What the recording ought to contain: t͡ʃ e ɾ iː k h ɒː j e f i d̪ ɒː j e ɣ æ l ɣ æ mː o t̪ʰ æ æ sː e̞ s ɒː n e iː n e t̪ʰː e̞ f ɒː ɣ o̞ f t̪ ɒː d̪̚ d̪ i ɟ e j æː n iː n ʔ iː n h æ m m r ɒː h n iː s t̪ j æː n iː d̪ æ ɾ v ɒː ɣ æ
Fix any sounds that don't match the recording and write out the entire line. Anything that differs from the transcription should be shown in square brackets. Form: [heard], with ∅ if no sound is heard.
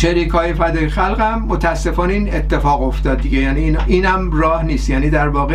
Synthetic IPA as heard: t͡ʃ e ɾ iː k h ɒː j e f [æ] d̪ ɒː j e [x] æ l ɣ æ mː o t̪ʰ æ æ sː e̞ [f] ɒː n e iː n e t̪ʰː e̞ f ɒː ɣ o̞ f t̪ ɒː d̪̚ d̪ i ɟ e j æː n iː n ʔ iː n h æ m m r ɒː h n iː s t̪ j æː n iː d̪ æ ɾ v ɒː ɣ [e]